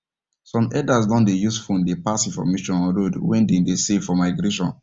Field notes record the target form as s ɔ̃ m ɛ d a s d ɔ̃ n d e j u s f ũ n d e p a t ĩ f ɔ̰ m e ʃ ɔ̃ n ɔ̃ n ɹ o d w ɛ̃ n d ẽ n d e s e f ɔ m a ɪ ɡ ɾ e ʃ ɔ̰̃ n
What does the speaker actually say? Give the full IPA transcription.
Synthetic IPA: s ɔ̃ m ɛ d a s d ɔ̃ n d e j u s f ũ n d e p a s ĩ f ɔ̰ m e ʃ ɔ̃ n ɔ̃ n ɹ o d w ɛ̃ n d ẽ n d e s e f ɔ m a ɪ ɡ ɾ e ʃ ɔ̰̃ n